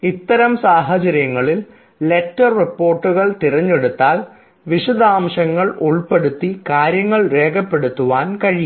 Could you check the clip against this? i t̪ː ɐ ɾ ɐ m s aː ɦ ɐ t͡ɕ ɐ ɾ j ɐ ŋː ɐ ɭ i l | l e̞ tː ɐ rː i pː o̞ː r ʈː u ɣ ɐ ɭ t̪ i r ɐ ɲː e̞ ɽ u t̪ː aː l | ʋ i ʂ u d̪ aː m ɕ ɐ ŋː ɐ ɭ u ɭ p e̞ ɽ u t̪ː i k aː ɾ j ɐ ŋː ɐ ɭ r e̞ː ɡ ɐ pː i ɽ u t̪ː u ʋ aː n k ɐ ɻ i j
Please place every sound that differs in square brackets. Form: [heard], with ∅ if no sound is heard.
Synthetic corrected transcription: i t̪ː ɐ ɾ ɐ m s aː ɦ ɐ t͡ɕ ɐ ɾ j ɐ ŋː ɐ ɭ i l | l e̞ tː ɐ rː i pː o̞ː r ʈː u ɣ ɐ ɭ t̪ i r ɐ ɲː e̞ ɽ u t̪ː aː l | ʋ i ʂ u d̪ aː m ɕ ɐ ŋː ɐ ɭ u ɭ p e̞ ɽ u t̪ː i k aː ɾ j ɐ ŋː ɐ ɭ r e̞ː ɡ ɐ pː [e] ɽ u t̪ː u ʋ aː n k ɐ ɻ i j

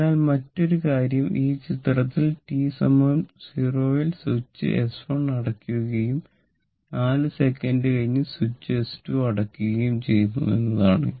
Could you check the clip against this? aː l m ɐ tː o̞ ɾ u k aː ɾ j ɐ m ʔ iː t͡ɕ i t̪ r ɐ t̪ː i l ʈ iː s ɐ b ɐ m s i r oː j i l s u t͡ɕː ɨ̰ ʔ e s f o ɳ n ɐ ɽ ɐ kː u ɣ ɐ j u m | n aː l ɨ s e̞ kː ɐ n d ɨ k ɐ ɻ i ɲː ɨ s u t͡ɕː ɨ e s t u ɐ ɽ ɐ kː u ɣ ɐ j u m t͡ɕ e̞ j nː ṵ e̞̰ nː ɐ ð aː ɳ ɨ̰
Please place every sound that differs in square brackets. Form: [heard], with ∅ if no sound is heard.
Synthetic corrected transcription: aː l m ɐ tː o̞ ɾ u k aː ɾ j ɐ m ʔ iː t͡ɕ i t̪ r ɐ t̪ː i l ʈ iː s ɐ [m] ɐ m s i r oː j i l s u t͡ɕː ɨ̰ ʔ e s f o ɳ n ɐ ɽ ɐ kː u ɣ ɐ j u m | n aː l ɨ s e̞ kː ɐ n d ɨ k ɐ ɻ i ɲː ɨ s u t͡ɕː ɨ e s t u ɐ ɽ ɐ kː u ɣ ɐ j u m t͡ɕ e̞ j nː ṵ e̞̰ nː ɐ ð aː ɳ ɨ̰

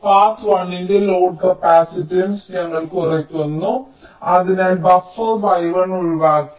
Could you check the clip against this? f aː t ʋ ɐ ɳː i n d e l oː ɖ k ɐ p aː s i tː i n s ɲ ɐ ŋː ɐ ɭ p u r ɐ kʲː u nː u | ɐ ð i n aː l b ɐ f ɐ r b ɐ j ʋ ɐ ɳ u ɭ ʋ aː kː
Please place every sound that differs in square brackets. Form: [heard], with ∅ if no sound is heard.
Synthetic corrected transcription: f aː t ʋ ɐ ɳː i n d e l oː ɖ k ɐ p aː s i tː i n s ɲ ɐ ŋː ɐ ɭ [k] u r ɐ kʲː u nː u | ɐ ð i n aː l b ɐ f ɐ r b ɐ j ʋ ɐ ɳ u ɭ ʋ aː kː

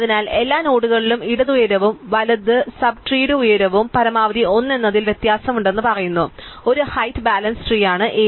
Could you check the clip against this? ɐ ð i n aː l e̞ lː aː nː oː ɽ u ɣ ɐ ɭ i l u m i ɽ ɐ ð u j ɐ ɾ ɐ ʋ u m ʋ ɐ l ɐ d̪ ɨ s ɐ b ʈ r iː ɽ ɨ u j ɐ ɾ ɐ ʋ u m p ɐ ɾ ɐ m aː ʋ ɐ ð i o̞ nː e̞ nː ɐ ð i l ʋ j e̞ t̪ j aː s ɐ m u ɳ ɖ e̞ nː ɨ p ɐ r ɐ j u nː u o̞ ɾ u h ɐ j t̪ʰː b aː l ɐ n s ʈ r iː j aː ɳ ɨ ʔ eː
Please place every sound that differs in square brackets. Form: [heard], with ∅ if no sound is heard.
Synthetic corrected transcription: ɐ ð i n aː l e̞ lː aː [n] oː ɽ u ɣ ɐ ɭ i l u m i ɽ ɐ ð u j ɐ ɾ ɐ ʋ u m ʋ ɐ l ɐ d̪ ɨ s ɐ b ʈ r iː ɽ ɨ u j ɐ ɾ ɐ ʋ u m p ɐ ɾ ɐ m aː ʋ ɐ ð i o̞ nː e̞ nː ɐ ð i l ʋ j e̞ t̪ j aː s ɐ m u ɳ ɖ e̞ nː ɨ p ɐ r ɐ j u nː u o̞ ɾ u h ɐ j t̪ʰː b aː l ɐ n s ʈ r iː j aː ɳ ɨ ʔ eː

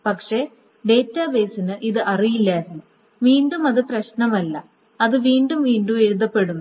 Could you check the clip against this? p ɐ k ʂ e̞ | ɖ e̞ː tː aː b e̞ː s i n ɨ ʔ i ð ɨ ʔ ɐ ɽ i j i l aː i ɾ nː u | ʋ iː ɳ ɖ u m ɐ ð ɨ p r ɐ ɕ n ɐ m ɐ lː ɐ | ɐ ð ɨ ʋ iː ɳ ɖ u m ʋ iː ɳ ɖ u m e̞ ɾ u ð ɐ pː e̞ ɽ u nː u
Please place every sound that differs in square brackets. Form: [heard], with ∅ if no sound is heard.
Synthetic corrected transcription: p ɐ k ʂ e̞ | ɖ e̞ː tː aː b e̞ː s i n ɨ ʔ i ð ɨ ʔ ɐ [r] i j i [lː] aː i ɾ nː u | ʋ iː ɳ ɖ u m ɐ ð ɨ p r ɐ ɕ n ɐ m ɐ lː ɐ | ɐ ð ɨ ʋ iː ɳ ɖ u m ʋ iː ɳ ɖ u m e̞ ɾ u ð ɐ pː e̞ ɽ u nː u

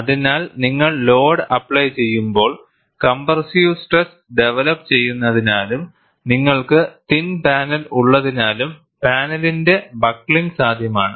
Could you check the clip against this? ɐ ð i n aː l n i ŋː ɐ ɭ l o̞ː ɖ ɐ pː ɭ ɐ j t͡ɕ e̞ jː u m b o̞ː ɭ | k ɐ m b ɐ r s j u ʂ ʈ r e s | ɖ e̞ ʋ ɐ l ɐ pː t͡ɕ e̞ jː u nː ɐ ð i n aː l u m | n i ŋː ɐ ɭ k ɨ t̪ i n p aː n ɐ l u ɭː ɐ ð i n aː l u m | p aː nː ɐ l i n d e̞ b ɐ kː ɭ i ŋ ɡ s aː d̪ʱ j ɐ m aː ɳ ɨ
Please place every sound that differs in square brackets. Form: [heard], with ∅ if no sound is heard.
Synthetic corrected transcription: ɐ ð i n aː l n i ŋː ɐ ɭ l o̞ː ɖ ɐ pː ɭ ɐ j t͡ɕ e̞ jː u m b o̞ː ɭ | k ɐ m b ɐ r s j u [s] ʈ r e s | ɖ e̞ ʋ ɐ l ɐ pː t͡ɕ e̞ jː u nː ɐ ð i n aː l u m | n i ŋː ɐ ɭ k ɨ t̪ i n p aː n ɐ l u ɭː ɐ ð i n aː l u m | p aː [n] ɐ l i n d e̞ b ɐ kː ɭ i ŋ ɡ s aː d̪ʱ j ɐ m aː ɳ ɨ

